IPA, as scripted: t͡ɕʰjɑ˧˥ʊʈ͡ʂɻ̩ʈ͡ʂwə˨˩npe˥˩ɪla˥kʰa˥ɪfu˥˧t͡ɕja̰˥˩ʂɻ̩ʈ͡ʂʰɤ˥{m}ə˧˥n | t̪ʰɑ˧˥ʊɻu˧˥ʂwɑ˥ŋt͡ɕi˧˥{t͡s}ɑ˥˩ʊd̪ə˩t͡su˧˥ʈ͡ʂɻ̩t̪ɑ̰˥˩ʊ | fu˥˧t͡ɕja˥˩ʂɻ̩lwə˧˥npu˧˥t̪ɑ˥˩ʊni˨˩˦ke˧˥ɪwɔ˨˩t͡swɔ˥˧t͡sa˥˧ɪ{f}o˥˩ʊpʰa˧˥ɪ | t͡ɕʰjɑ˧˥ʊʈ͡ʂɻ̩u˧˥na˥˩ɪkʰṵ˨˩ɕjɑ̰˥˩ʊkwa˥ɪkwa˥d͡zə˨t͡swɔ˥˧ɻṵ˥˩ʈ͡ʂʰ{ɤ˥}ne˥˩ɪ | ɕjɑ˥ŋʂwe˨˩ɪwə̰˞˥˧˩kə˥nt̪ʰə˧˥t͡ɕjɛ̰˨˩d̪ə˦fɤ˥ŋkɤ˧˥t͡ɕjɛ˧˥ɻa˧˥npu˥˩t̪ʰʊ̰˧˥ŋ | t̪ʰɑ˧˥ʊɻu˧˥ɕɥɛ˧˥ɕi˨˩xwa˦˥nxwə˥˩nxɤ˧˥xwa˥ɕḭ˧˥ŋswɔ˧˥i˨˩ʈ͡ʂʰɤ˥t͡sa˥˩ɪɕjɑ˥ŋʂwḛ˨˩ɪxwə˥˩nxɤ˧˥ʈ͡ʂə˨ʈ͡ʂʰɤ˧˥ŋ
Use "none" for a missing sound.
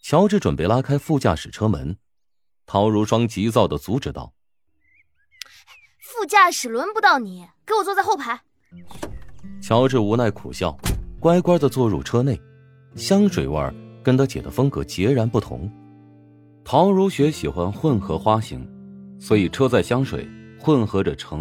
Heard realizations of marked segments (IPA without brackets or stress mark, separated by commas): m, t͡s, x, ɤ˥